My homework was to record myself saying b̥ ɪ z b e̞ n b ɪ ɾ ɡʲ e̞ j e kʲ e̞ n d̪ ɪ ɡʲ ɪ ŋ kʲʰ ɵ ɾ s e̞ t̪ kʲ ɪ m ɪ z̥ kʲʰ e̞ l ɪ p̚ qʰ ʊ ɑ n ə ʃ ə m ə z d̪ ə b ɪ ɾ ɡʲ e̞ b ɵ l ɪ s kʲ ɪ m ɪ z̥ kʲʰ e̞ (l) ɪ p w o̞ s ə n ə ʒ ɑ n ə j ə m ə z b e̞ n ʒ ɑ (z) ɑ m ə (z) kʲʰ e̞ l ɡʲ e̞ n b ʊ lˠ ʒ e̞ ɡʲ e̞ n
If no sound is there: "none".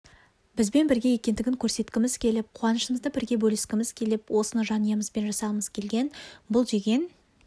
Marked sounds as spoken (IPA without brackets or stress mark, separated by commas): l, s, z